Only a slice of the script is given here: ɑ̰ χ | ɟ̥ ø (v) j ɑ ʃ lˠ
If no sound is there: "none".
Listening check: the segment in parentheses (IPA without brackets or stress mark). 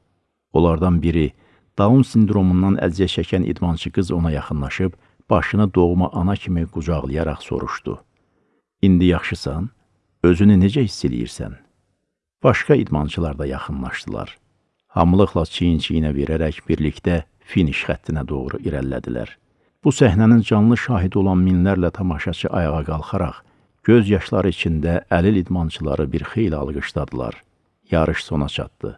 z